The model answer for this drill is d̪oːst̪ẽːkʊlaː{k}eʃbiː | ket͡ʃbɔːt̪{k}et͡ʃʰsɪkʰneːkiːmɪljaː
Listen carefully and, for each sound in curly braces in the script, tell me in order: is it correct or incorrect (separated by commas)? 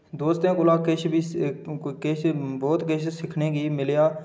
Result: correct, correct